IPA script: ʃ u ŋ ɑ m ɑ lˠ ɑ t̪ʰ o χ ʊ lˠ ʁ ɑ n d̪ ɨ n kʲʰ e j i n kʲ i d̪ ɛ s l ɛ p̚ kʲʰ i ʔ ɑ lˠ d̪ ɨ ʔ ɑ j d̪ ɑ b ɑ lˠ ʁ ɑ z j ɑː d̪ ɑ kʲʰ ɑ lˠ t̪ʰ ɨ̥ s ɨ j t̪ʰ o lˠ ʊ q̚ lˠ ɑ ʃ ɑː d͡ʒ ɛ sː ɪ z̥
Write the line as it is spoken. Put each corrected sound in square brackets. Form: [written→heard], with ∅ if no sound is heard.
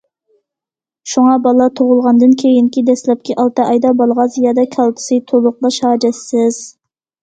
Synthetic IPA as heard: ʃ u ŋ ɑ [m→b] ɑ lˠ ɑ t̪ʰ o [χ→ʁ] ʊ lˠ ʁ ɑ n d̪ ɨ n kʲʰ e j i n kʲ i d̪ ɛ s l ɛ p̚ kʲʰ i ʔ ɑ lˠ [d̪→t̪] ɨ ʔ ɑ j d̪ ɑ b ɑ lˠ ʁ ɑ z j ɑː d̪ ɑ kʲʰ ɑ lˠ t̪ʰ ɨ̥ s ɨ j t̪ʰ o lˠ ʊ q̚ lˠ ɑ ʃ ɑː d͡ʒ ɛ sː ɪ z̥